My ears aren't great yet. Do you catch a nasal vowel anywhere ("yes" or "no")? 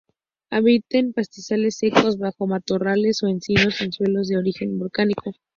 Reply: no